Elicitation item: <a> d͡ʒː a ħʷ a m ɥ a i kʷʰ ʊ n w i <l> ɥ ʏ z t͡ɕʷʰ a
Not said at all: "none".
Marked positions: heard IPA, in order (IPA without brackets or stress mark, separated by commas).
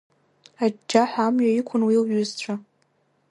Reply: a, l